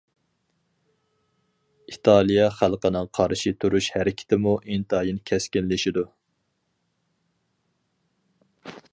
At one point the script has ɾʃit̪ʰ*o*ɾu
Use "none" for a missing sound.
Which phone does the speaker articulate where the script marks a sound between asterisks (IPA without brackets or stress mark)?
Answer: u